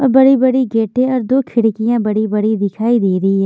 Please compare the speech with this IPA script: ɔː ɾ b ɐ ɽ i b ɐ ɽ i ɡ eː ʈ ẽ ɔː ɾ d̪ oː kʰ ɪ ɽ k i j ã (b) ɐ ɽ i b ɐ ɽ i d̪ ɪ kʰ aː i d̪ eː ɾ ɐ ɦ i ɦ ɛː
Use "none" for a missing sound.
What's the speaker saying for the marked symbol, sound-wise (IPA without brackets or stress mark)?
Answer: b